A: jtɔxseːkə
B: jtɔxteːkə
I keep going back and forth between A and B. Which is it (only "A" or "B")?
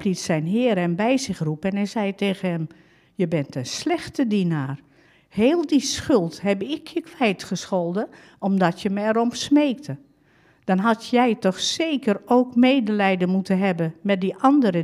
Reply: A